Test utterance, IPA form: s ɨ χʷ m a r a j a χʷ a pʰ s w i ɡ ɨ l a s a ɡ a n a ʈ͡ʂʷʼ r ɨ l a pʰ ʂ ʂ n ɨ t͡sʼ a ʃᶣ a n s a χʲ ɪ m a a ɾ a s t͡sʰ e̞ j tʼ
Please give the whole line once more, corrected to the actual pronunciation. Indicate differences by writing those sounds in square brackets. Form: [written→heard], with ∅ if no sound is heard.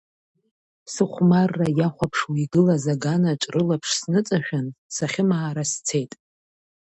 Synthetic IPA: s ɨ χʷ m a [r→rː] a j a χʷ a pʰ [s→ʂ] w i ɡ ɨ l a [s→z] a ɡ a n a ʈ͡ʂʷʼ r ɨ l a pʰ ʂ [ʂ→s] n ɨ t͡sʼ a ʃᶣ a n s a χʲ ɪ m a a ɾ a s t͡sʰ e̞ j tʼ